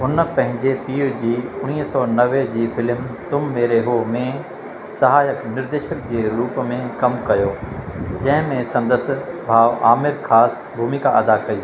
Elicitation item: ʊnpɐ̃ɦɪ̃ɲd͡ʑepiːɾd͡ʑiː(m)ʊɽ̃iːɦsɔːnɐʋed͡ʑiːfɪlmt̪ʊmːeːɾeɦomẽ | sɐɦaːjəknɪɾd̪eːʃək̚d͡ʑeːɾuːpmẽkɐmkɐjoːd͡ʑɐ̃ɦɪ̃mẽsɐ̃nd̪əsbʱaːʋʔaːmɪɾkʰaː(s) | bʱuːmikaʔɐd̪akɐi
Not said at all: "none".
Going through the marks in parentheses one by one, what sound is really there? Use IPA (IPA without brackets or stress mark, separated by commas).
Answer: none, s